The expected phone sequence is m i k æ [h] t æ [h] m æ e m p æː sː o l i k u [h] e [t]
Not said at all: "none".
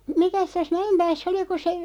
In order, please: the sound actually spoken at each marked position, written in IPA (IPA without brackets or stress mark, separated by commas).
s, s, s, none